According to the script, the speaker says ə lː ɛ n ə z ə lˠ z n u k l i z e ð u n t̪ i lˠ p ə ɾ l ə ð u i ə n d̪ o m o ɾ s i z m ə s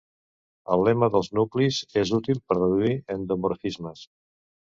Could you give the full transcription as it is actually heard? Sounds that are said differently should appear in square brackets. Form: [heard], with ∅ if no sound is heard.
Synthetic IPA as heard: ə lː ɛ [m] ə [ð] ə lˠ z n u k l i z e [z] u [∅] t̪ i lˠ p ə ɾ [r] ə ð u i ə n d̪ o m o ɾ [f] i z m ə s